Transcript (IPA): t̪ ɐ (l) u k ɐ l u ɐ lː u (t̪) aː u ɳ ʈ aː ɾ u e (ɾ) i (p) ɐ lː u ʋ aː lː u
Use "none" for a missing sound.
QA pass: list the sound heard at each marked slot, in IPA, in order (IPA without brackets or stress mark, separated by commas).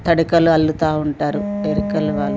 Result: ɽ, t̪, ɾ, k